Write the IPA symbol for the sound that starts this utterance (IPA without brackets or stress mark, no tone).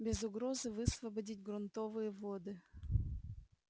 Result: bʲ